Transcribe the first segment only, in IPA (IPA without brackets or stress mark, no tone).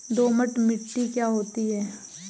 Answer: d̪